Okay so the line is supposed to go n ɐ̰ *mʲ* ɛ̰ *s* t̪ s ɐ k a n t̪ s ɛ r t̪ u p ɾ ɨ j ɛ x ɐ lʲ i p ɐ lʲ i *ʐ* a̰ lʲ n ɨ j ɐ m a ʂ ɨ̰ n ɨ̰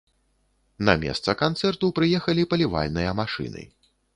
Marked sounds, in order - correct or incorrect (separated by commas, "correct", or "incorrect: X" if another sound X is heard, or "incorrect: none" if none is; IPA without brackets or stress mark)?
correct, correct, incorrect: v